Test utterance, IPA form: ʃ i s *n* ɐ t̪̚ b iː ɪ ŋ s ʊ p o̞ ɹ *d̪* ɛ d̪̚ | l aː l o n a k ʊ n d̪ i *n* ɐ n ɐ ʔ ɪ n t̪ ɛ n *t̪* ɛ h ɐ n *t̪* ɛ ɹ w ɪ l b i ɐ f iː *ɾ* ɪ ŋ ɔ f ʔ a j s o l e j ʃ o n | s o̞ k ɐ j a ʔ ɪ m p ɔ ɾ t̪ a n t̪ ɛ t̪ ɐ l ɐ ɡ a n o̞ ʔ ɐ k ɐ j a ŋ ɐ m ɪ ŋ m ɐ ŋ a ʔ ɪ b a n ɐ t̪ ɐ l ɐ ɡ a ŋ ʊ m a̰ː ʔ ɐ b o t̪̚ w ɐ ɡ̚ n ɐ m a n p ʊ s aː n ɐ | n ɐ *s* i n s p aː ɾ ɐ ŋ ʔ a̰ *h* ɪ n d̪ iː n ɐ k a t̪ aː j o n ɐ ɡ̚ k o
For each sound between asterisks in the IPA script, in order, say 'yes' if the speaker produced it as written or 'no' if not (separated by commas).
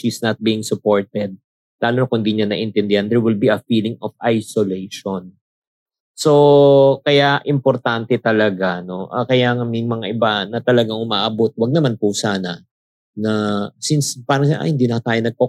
yes, no, no, no, no, no, yes, yes